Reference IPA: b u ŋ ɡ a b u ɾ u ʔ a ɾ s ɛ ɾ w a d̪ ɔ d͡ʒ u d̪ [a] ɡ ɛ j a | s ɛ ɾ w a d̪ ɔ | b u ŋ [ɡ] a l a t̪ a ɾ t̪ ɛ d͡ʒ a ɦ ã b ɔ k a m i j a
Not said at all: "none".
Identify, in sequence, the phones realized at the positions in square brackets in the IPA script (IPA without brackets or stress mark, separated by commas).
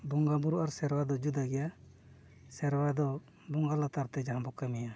a, ɡ